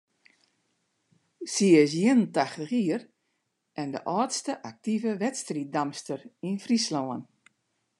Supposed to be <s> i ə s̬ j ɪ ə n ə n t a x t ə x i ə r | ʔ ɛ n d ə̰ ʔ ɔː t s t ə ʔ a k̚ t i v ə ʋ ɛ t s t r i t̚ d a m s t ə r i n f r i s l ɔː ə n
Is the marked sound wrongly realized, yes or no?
no